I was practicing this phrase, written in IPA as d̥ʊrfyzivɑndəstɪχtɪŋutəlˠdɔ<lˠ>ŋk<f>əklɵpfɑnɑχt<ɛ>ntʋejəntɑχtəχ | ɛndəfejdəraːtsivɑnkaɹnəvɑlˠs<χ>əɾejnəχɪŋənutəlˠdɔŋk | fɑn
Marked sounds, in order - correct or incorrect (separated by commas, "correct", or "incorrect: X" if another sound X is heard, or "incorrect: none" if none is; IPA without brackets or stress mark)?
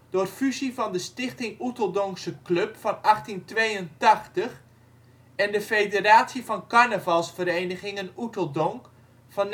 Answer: incorrect: none, incorrect: s, incorrect: i, incorrect: f